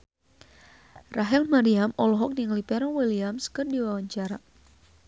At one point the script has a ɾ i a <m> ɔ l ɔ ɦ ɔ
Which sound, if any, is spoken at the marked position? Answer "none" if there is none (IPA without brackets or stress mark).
m